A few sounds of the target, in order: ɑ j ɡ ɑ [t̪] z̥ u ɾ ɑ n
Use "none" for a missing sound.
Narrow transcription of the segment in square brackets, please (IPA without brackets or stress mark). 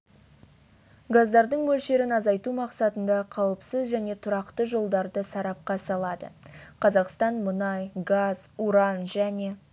none